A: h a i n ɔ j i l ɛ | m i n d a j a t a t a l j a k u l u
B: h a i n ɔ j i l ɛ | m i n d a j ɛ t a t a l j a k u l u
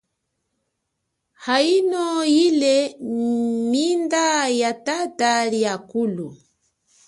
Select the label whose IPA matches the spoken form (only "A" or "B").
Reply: A